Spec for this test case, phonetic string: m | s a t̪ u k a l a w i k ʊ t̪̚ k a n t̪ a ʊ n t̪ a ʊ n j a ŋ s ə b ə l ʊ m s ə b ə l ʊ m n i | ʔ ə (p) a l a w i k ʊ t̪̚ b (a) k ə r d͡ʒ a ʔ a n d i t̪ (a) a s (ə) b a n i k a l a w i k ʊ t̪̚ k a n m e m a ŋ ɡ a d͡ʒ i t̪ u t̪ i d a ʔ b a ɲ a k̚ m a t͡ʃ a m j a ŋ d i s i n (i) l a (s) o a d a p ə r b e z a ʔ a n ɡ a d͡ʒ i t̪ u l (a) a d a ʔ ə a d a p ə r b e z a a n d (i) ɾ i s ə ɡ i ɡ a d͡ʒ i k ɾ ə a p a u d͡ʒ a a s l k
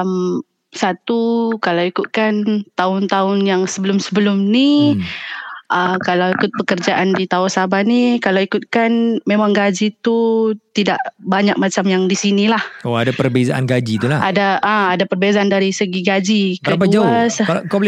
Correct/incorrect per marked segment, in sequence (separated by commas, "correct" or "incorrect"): incorrect, incorrect, correct, incorrect, correct, incorrect, correct, incorrect